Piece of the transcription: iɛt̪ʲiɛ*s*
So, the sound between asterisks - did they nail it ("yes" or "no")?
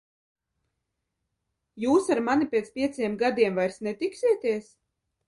yes